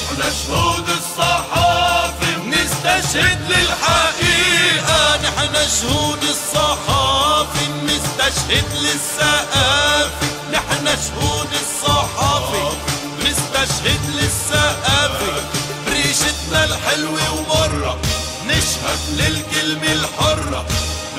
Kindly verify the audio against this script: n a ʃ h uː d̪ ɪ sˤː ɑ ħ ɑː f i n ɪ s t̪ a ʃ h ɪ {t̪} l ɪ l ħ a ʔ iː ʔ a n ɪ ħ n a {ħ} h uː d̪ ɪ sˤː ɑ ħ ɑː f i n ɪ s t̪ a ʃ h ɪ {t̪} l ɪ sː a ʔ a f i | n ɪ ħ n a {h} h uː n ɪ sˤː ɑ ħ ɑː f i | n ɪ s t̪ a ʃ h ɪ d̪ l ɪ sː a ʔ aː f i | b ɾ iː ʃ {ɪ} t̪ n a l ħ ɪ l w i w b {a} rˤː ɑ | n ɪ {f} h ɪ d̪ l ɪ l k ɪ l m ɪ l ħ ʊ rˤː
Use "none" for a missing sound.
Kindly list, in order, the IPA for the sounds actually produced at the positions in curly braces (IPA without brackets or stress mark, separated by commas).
d̪, ʃ, d̪, ʃ, ɪ, ɑ, ʃ